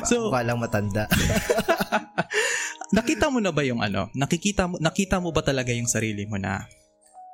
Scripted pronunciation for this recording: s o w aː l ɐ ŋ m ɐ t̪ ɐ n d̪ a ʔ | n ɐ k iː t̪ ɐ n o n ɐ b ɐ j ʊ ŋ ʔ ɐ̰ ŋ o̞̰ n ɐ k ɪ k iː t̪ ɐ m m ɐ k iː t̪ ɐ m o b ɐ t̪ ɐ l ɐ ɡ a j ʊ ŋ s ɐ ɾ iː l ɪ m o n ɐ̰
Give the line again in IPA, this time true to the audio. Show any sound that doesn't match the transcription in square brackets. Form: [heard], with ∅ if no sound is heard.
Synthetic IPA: s o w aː l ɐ ŋ m ɐ t̪ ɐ n d̪ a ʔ | n ɐ k iː t̪ ɐ [m] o n ɐ b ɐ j ʊ ŋ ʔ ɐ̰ [n] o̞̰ n ɐ k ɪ k iː t̪ ɐ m [n] ɐ k iː t̪ ɐ m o b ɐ t̪ ɐ l ɐ ɡ a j ʊ ŋ s ɐ ɾ iː l ɪ m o n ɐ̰